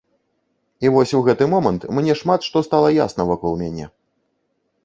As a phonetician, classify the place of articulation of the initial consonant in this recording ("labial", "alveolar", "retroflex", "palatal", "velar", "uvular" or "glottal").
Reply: labial